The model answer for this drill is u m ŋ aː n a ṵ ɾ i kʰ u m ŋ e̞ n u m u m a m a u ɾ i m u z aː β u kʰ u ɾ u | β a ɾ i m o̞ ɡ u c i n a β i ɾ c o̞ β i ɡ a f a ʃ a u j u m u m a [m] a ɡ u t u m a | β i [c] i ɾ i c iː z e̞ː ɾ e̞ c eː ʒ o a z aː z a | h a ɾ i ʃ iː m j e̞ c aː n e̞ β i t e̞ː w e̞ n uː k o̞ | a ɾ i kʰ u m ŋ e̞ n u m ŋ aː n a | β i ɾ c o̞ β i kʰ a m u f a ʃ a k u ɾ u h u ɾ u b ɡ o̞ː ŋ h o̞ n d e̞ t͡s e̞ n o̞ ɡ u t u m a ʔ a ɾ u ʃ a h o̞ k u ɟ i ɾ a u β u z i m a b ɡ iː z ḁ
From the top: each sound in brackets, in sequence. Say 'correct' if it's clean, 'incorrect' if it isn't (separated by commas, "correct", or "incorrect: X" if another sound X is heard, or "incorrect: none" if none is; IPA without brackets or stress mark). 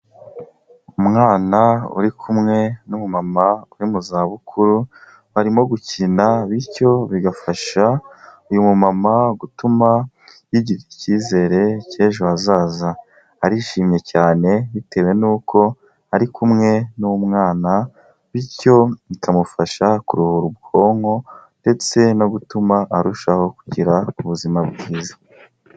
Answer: correct, incorrect: ɟ